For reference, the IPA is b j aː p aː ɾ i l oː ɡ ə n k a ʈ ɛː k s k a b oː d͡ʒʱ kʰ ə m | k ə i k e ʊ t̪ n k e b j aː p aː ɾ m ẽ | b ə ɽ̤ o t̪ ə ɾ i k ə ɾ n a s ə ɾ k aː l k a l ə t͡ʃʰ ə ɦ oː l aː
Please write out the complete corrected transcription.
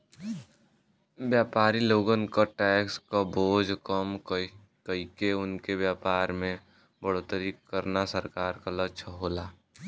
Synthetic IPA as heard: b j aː p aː ɾ i l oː ɡ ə n k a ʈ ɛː k s k a b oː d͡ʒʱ k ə m | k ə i k e ʊ n k e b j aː p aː ɾ m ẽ | b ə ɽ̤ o t̪ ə ɾ i k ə ɾ n a s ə ɾ k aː ɾ k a l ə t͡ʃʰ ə ɦ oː l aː